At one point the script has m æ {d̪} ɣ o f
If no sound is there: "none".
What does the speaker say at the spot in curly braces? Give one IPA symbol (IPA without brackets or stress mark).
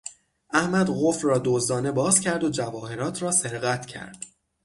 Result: d̪